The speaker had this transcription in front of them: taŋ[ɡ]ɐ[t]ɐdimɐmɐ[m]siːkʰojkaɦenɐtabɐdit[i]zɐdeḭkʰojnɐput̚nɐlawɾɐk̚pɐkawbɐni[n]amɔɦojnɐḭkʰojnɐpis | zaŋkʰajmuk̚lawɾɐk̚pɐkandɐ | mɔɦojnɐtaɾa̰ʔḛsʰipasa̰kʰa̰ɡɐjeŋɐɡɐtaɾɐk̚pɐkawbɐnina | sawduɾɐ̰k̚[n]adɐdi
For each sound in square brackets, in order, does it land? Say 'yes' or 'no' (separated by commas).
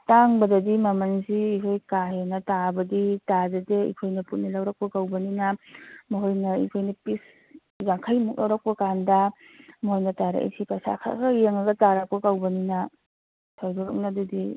no, no, no, no, yes, yes